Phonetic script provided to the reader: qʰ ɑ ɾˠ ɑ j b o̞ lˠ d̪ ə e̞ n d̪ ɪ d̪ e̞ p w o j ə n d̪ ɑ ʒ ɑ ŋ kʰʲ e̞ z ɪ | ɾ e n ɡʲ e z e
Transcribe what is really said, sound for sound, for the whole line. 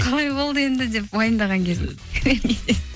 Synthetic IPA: qʰ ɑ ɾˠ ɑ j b o̞ lˠ d̪ ə e̞ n d̪ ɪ d̪ e̞ p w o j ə n d̪ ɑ ʁ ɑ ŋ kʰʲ e̞ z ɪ | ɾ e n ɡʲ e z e

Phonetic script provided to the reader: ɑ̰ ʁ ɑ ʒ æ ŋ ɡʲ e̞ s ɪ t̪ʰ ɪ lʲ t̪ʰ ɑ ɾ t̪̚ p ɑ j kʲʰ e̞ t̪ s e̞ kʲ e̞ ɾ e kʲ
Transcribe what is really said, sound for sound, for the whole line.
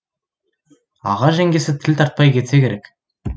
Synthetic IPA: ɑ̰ ʁ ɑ ʒ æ ŋ ɡʲ e̞ s ɪ t̪ʰ ɪ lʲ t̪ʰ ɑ ɾ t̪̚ p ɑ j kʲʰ e̞ t̪ s e̞ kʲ e̞ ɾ e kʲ

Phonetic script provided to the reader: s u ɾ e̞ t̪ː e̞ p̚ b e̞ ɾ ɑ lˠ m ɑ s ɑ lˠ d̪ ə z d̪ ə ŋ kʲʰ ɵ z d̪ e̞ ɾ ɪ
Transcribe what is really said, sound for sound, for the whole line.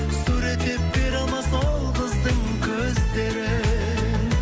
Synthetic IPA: s u ɾ e̞ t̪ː e̞ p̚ b e̞ ɾ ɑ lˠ m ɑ s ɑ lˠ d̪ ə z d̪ ə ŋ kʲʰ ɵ z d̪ e̞ ɾ ɪ

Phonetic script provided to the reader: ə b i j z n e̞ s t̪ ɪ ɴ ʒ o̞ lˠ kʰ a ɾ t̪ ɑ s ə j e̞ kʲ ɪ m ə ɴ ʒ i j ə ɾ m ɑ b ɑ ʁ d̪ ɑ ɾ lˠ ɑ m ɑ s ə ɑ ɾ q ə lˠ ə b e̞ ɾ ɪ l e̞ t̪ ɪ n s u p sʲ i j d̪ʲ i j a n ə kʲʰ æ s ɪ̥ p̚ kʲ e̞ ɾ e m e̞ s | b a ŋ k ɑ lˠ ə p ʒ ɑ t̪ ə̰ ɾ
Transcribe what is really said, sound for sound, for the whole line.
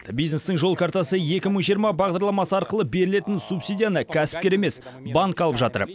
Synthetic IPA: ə b i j z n e̞ s t̪ ɪ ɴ ʒ o̞ lˠ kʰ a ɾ t̪ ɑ s ə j e̞ kʲ ɪ m ə ɴ ʒ i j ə ɾ m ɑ b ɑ ʁ d̪ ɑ ɾ lˠ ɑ m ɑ s ə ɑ ɾ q ə lˠ ə b e̞ ɾ ɪ l e̞ t̪ ɪ n s u p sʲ i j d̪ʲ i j a n ə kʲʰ æ s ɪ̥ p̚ kʲ e̞ ɾ e m e̞ s | b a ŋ k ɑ lˠ ə p ʒ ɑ t̪ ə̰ ɾ

